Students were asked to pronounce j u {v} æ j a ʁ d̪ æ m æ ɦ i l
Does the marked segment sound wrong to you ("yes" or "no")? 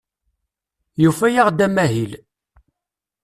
yes